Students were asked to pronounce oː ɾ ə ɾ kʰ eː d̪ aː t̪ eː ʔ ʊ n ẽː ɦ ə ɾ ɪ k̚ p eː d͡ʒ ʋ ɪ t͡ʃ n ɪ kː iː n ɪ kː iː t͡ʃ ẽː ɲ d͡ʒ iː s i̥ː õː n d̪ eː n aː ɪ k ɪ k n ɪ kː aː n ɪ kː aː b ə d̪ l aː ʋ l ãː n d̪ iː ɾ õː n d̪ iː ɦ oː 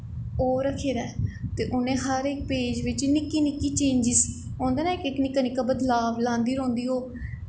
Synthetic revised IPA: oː ɾ ə kʰ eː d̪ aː t̪ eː ʔ ʊ n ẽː ɦ ə ɾ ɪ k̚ p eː d͡ʒ ʋ ɪ t͡ʃ n ɪ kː iː n ɪ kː iː t͡ʃ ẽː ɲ d͡ʒ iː s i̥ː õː n d̪ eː n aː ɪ k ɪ k n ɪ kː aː n ɪ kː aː b ə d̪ l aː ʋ l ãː n d̪ iː ɾ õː n d̪ iː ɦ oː